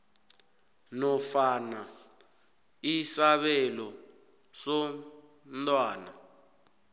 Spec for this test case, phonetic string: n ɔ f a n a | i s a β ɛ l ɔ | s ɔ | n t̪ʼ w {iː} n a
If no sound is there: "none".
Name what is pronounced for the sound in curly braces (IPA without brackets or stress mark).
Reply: aː